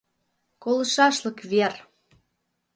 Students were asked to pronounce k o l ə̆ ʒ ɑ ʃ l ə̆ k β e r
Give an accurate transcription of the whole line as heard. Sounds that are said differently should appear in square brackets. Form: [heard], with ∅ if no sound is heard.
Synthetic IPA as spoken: k o l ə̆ [ʃ] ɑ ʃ l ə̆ k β e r